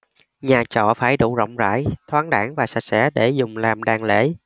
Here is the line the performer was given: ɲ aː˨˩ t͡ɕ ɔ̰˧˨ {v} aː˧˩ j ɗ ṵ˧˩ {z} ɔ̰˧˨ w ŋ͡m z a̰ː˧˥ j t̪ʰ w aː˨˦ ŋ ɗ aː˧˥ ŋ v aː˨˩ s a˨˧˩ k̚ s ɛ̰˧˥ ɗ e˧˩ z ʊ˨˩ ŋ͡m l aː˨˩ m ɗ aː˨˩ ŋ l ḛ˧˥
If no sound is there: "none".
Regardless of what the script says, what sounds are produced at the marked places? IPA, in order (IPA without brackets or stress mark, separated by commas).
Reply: f, z